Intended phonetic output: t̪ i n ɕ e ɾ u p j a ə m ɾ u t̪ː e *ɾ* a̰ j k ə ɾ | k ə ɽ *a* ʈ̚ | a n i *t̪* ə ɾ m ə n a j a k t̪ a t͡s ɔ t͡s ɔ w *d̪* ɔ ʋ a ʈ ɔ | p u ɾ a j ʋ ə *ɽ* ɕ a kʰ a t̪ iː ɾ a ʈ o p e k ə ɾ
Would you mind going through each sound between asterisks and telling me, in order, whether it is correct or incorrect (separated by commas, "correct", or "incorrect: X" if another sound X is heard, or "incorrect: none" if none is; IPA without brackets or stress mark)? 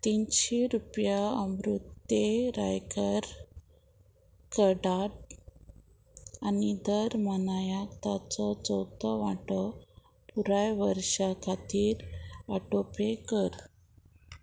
correct, correct, incorrect: d̪, incorrect: t̪, incorrect: ɾ